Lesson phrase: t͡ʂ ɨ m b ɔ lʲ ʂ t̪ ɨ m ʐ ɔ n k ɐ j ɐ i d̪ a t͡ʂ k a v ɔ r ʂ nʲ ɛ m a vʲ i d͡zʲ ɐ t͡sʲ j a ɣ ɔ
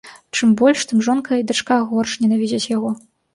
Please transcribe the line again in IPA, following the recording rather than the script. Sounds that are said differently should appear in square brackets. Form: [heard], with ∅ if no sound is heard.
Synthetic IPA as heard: t͡ʂ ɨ m b ɔ lʲ ʂ t̪ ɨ m ʐ ɔ n k ɐ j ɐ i d̪ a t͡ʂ k a [ɣ] ɔ r ʂ nʲ ɛ [n] a vʲ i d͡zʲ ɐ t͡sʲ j a ɣ ɔ

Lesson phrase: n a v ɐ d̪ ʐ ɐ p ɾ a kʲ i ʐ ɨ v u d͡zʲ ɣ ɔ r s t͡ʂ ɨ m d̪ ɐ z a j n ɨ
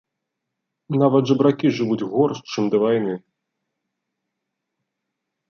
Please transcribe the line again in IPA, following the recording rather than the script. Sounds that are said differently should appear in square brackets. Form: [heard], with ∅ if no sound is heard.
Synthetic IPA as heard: n a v ɐ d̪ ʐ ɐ [b] ɾ a kʲ i ʐ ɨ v u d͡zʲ ɣ ɔ r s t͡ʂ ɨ m d̪ ɐ [v] a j n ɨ

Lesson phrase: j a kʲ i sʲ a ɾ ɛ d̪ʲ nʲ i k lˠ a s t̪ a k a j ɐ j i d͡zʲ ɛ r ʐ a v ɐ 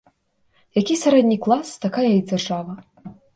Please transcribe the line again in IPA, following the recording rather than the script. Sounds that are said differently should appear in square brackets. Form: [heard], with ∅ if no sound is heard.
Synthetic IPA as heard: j a kʲ i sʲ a ɾ ɛ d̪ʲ nʲ i k lˠ a s t̪ a k a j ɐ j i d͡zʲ [a] r ʐ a v ɐ

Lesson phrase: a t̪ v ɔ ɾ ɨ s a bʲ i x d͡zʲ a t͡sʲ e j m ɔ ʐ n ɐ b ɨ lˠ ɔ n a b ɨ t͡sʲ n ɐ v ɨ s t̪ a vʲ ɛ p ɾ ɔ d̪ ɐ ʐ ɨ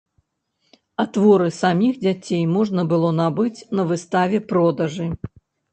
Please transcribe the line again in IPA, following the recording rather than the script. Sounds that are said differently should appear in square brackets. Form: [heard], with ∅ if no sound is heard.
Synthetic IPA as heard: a t̪ v ɔ ɾ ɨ s a [mʲ] i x d͡zʲ a t͡sʲ e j m ɔ ʐ n ɐ b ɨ lˠ ɔ n a b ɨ t͡sʲ n ɐ v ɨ s t̪ a vʲ ɛ p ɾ ɔ d̪ ɐ ʐ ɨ

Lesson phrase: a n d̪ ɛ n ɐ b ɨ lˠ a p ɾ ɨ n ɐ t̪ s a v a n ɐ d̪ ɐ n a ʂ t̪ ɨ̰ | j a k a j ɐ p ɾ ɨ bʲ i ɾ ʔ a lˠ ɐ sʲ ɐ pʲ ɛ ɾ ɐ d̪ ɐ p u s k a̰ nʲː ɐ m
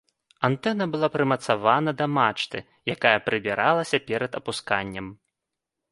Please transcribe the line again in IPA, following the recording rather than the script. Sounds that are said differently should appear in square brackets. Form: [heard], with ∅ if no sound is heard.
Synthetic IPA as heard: a n [t̪] ɛ n ɐ b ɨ lˠ a p ɾ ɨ [m] ɐ t̪ s a v a n ɐ d̪ ɐ [m] a [t͡ʂ] t̪ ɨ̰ | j a k a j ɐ p ɾ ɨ bʲ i ɾ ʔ a lˠ ɐ sʲ ɐ pʲ ɛ ɾ ɐ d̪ ɐ p u s k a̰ nʲː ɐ m

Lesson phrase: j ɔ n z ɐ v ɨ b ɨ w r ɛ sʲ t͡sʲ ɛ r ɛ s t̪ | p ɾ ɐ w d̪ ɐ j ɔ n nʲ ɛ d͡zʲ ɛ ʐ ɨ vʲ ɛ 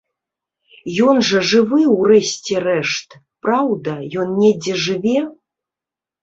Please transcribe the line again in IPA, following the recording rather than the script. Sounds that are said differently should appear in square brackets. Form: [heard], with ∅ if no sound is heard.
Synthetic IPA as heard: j ɔ n [ʐ] ɐ [ʐ] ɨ [v] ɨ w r ɛ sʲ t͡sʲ ɛ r ɛ [ʂ] t̪ | p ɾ [a] w d̪ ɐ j ɔ n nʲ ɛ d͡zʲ ɛ ʐ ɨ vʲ ɛ

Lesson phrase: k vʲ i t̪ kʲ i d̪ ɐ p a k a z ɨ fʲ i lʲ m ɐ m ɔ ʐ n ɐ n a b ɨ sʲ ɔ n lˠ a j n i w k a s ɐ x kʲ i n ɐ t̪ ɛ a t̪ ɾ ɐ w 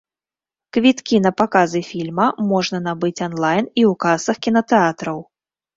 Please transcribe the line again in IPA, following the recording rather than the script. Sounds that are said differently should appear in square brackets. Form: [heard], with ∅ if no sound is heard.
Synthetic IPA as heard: k vʲ i t̪ kʲ i [n̪] ɐ p a k a z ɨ fʲ i lʲ m ɐ m ɔ ʐ n ɐ n a b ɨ [t͡sʲ] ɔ n lˠ a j n i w k a s ɐ x kʲ i n ɐ t̪ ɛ a t̪ ɾ ɐ w

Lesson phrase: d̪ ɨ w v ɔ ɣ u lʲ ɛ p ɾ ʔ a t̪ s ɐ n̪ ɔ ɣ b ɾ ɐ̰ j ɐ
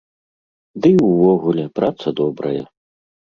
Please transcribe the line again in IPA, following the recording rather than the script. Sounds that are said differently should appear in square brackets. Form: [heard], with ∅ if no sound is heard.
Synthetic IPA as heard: d̪ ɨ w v ɔ ɣ u lʲ ɛ p ɾ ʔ a t̪ s ɐ [d̪] ɔ [∅] b ɾ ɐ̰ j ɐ

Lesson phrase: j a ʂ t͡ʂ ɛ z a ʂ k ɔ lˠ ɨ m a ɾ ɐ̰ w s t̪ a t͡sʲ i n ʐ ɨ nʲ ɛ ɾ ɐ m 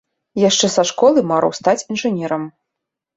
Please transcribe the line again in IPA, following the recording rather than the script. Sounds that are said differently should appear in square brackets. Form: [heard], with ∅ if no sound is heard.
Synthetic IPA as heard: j a ʂ t͡ʂ ɛ [s] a ʂ k ɔ lˠ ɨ m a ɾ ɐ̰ w s t̪ a t͡sʲ i n ʐ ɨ nʲ ɛ ɾ ɐ m

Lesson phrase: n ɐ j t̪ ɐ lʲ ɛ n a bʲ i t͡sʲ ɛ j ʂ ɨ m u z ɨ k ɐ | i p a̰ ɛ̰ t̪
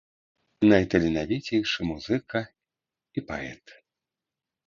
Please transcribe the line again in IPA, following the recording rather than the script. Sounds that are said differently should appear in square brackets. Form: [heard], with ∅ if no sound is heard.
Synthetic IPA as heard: n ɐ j t̪ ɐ lʲ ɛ n a [vʲ] i t͡sʲ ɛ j ʂ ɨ m u z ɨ k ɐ | i p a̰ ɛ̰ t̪

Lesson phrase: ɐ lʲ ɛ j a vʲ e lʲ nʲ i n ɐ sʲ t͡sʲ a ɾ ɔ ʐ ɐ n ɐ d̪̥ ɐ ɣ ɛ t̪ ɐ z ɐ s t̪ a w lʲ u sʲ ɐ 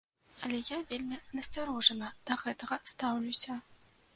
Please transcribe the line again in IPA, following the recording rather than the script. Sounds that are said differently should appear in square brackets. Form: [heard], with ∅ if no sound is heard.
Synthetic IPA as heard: ɐ lʲ ɛ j a vʲ e lʲ [mʲ] i n ɐ sʲ t͡sʲ a ɾ ɔ ʐ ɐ n ɐ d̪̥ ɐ ɣ ɛ t̪ ɐ [ɣ] ɐ s t̪ a w lʲ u sʲ ɐ

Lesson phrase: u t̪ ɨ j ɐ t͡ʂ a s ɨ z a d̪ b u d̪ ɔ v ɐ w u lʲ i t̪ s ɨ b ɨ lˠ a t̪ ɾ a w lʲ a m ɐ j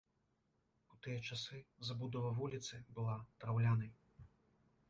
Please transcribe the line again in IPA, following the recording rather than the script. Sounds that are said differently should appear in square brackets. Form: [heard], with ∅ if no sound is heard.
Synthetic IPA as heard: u t̪ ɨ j ɐ t͡ʂ a s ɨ z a [∅] b u d̪ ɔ v ɐ [v] u lʲ i t̪ s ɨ b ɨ lˠ a t̪ ɾ a w lʲ a [n] ɐ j

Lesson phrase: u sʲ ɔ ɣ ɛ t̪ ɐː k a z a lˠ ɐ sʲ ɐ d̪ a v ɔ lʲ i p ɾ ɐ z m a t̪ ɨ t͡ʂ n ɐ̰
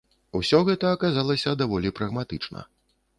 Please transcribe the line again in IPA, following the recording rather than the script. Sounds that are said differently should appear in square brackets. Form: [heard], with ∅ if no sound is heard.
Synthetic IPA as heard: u sʲ ɔ ɣ ɛ t̪ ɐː k a z a lˠ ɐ sʲ ɐ d̪ a v ɔ lʲ i p ɾ ɐ [ɣ] m a t̪ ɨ t͡ʂ n ɐ̰

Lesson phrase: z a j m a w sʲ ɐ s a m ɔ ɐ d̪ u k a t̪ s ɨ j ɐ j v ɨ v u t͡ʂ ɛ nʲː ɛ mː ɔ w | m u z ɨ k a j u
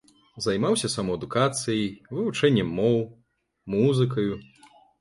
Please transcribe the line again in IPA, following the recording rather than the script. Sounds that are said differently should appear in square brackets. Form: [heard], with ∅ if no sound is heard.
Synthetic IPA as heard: z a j m a w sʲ ɐ s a m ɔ ɐ d̪ u k a t̪ s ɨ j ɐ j v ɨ v u t͡ʂ ɛ nʲː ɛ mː ɔ w | m u z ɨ k [ɐ] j u

